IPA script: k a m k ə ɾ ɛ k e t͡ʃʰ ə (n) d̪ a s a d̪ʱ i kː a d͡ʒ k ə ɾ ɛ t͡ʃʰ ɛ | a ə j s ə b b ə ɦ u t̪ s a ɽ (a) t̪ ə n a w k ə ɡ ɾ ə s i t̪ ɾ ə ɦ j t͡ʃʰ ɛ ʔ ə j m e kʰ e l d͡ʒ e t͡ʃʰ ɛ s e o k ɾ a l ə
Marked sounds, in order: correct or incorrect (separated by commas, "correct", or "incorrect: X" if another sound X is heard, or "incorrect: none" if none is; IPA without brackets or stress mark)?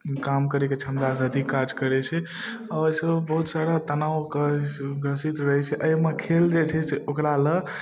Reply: incorrect: m, correct